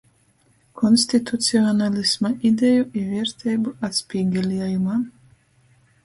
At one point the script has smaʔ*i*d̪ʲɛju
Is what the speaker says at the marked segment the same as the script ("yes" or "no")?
yes